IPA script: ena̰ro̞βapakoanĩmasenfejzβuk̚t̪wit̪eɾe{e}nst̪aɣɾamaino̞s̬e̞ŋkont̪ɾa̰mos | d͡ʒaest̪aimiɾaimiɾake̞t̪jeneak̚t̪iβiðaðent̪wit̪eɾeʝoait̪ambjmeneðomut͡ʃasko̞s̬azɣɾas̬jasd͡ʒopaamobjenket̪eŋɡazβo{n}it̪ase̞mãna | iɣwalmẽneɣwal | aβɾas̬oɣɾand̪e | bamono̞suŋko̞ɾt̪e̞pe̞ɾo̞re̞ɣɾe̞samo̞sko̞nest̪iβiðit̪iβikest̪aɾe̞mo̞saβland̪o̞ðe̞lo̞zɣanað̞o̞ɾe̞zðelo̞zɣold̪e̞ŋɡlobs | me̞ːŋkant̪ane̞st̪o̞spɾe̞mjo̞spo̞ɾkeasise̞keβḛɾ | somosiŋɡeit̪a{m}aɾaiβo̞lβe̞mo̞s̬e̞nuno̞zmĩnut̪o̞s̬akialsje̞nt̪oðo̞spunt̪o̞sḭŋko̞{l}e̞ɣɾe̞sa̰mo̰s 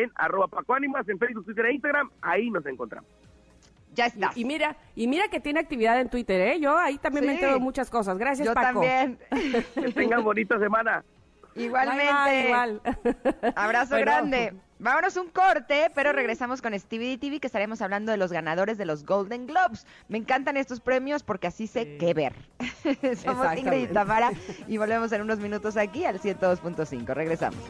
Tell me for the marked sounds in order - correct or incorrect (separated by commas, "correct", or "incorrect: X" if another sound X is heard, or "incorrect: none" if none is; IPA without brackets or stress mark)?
incorrect: i, correct, correct, incorrect: r